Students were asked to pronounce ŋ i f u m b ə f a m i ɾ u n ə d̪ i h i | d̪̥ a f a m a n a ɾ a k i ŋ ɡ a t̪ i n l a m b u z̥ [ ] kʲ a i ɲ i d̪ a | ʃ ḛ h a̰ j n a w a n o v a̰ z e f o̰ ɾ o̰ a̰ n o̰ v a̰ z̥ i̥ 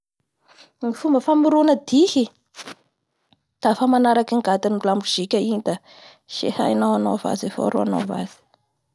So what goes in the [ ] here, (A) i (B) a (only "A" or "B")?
A